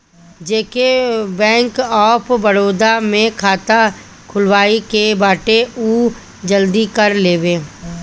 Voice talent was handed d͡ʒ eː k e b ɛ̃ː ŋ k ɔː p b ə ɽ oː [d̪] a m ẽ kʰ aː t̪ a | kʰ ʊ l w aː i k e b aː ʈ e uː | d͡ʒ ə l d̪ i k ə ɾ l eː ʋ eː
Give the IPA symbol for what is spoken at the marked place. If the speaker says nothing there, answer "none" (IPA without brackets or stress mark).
d̪